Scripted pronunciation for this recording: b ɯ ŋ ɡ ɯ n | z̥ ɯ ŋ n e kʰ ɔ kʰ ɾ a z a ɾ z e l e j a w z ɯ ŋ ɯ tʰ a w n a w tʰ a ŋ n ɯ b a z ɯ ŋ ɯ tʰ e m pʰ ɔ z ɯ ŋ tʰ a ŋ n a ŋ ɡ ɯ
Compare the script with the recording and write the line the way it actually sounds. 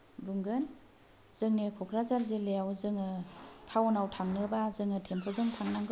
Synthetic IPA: b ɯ ŋ ɡ ɯ n | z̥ ɯ ŋ n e kʰ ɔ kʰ ɾ a z a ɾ z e l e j a w z ɯ ŋ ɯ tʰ a w n a w tʰ a ŋ n ɯ b a z ɯ ŋ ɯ tʰ e m pʰ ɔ z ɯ ŋ tʰ a ŋ n a ŋ ɡ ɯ